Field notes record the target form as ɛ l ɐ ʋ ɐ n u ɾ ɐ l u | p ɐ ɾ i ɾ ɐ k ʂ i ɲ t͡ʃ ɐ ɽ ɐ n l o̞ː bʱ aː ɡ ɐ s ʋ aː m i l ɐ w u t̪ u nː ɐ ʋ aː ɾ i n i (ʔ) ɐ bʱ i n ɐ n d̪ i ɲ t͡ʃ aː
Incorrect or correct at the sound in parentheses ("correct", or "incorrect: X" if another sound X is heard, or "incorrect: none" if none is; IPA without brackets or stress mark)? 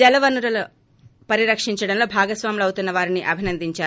correct